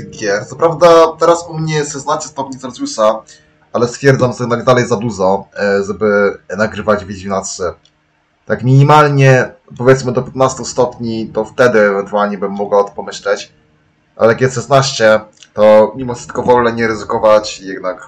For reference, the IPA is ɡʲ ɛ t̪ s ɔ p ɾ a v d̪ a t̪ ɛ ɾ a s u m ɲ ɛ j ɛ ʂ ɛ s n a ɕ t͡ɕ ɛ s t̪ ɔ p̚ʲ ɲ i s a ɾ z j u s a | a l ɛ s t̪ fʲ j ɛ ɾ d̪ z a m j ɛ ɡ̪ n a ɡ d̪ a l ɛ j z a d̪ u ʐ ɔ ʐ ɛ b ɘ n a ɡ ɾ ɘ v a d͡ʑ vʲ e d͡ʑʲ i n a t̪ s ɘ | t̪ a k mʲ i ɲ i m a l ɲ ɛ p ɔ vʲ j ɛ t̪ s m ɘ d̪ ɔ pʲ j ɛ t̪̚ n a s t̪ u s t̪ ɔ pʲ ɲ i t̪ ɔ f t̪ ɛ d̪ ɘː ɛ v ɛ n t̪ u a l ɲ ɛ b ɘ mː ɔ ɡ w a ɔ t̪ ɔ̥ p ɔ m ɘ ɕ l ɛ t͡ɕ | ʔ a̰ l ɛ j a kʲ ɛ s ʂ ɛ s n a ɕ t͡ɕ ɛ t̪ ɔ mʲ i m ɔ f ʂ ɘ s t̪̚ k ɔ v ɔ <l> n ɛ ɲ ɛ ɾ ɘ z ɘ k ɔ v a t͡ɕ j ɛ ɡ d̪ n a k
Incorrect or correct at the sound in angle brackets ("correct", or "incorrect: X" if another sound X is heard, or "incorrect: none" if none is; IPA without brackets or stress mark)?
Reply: correct